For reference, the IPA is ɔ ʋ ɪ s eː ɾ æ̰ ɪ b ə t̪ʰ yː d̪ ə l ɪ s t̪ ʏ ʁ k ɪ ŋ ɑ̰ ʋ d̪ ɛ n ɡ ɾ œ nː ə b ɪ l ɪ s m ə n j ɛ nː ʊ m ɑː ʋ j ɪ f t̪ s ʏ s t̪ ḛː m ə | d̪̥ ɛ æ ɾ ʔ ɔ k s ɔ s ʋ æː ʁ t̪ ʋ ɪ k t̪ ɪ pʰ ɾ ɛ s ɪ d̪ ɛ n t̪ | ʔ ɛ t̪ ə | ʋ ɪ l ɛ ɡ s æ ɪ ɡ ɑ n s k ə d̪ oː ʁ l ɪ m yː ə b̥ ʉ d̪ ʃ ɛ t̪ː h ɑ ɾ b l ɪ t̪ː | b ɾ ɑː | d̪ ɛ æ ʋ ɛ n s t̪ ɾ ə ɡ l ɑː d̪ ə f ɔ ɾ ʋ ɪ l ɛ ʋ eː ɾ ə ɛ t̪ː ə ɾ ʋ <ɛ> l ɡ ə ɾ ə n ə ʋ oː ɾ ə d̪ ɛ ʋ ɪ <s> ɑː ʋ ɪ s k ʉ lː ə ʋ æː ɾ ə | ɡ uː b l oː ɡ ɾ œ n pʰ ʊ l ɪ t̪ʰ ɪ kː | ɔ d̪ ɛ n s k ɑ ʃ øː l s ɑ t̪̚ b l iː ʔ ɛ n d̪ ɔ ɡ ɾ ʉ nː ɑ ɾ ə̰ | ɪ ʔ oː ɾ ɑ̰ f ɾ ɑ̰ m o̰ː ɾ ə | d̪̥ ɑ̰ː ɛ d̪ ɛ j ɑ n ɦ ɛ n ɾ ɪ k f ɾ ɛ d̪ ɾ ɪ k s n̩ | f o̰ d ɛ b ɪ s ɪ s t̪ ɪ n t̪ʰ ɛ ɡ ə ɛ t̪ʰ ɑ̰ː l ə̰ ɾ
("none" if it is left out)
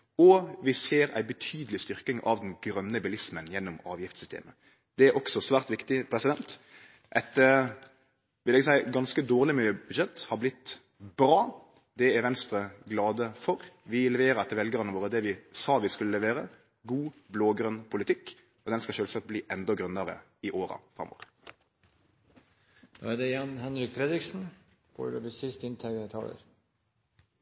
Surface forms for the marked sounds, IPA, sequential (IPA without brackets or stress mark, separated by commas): ɛ, s